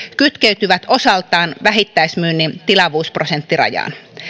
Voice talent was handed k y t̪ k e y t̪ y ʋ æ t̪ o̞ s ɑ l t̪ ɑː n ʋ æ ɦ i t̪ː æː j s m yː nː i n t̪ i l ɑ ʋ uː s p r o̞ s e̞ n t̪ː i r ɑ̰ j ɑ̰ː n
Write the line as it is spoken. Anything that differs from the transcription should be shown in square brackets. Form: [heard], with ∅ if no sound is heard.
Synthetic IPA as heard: k y t̪ k e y t̪ y ʋ æ t̪ o̞ s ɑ l t̪ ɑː n ʋ æ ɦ i t̪ː [æ] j s m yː nː i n t̪ i l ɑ ʋ uː s p r o̞ s e̞ n t̪ː i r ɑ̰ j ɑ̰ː n